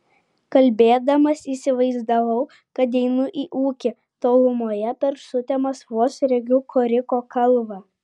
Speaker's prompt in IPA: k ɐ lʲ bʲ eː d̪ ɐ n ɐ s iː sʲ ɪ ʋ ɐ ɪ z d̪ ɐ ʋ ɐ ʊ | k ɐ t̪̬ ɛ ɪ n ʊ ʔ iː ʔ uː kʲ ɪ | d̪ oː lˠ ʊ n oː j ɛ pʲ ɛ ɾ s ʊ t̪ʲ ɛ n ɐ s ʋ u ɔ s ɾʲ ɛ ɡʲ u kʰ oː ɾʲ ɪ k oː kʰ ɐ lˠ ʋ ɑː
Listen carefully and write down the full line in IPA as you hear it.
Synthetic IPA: k ɐ lʲ bʲ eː d̪ ɐ m ɐ s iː sʲ ɪ ʋ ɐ ɪ z d̪ ɐ ʋ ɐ ʊ | k ɐ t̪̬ ɛ ɪ n ʊ ʔ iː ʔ uː kʲ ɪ | t̪ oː lˠ ʊ m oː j ɛ pʲ ɛ ɾ s ʊ t̪ʲ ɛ m ɐ s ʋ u ɔ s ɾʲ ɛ ɡʲ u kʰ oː ɾʲ ɪ k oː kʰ ɐ lˠ ʋ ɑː